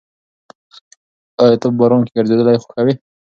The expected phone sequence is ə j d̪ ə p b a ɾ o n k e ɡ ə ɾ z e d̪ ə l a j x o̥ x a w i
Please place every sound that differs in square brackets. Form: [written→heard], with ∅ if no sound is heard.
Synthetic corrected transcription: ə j [d̪→t̪] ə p b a ɾ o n k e ɡ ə ɾ z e d̪ ə l a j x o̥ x a w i